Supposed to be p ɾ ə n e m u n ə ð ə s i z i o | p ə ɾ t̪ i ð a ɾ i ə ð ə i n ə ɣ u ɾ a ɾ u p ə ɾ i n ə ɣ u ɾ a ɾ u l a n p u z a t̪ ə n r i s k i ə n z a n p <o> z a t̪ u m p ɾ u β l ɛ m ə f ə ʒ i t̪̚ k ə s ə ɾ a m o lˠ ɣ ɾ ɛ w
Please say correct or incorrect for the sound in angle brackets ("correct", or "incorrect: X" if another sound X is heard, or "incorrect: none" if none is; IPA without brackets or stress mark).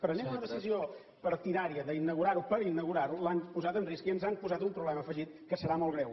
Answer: incorrect: u